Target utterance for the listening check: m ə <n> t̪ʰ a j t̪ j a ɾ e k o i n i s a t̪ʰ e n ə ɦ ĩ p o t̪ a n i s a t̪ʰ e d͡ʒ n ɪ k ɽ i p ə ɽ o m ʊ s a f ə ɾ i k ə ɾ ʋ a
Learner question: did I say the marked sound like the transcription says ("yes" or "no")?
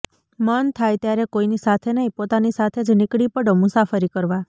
yes